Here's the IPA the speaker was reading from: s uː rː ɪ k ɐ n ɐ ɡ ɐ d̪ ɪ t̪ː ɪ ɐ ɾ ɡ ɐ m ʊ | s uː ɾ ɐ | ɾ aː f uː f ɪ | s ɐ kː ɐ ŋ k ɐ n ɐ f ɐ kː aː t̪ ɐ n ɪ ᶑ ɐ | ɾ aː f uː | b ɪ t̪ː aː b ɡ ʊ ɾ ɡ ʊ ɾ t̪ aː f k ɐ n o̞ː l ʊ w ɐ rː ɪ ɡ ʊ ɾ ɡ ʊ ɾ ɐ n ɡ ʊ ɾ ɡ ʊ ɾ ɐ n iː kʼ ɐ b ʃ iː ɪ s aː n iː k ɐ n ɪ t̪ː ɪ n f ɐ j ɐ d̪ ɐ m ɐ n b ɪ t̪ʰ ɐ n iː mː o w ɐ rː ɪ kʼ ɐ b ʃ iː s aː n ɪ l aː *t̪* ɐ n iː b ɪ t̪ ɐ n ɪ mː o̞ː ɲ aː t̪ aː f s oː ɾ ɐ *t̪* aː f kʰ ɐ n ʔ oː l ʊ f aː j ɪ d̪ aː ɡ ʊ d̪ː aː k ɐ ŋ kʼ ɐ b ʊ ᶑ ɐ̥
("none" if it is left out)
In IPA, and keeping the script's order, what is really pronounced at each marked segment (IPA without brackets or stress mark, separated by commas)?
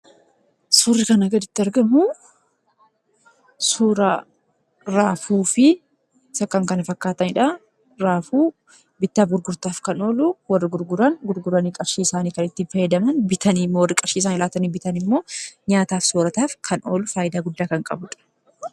t̪, t̪